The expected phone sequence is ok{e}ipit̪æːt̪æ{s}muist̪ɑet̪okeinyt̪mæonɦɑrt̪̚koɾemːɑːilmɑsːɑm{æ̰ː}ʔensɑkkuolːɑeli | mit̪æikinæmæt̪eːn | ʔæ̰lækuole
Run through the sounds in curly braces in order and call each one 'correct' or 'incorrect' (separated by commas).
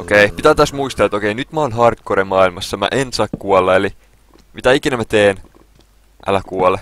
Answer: correct, correct, incorrect